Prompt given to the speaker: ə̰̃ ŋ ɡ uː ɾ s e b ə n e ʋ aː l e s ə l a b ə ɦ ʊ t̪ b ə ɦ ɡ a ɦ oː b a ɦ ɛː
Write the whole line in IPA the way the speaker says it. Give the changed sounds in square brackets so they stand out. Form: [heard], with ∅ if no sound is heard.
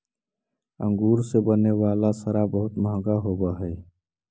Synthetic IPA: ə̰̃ ŋ ɡ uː ɾ s e b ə n e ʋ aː l [a] s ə [ɾ] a b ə ɦ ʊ t̪ [m] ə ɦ ɡ a ɦ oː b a ɦ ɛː